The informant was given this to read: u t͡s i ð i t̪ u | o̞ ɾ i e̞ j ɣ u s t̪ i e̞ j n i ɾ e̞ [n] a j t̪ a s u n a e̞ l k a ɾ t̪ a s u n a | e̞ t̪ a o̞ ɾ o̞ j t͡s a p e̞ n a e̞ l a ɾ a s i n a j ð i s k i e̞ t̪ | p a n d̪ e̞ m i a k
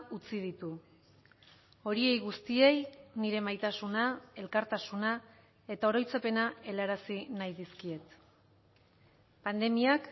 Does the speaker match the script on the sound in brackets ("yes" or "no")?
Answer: no